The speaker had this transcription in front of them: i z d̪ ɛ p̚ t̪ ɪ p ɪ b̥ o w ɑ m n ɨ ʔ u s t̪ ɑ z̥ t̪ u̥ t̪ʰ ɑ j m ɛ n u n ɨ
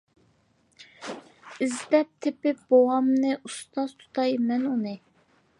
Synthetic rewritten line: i z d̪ ɛ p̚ t̪ʰ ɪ p ɪ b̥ o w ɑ m n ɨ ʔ u s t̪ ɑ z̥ t̪ʰ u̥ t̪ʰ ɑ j m ɛ n u n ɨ